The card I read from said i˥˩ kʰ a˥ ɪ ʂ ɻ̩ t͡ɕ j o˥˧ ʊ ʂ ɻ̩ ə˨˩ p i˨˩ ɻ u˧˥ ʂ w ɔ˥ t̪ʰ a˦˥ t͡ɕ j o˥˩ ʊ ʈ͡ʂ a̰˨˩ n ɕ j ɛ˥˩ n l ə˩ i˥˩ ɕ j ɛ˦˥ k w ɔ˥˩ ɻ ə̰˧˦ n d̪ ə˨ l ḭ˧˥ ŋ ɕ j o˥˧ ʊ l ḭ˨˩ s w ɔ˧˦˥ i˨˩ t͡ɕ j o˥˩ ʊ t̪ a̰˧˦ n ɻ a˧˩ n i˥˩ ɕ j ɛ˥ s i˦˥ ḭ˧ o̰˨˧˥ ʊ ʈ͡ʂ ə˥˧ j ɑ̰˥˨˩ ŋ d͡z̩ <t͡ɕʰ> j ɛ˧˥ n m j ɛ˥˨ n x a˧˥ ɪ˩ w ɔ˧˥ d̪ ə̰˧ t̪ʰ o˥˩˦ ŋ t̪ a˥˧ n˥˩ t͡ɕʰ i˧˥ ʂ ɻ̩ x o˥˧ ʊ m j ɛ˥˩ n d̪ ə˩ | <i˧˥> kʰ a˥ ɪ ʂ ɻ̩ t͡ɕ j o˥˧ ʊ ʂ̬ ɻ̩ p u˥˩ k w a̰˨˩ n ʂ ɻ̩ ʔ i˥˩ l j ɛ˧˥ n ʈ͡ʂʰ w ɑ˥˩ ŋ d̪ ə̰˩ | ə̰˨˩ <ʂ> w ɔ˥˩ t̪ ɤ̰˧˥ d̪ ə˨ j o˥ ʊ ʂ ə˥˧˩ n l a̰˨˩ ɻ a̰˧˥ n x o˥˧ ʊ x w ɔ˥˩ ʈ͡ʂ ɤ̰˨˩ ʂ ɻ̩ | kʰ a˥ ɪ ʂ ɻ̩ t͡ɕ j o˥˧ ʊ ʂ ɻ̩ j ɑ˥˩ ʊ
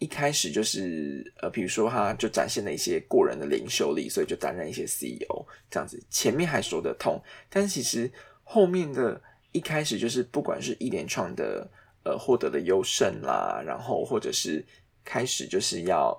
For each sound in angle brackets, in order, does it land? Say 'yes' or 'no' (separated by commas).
yes, no, no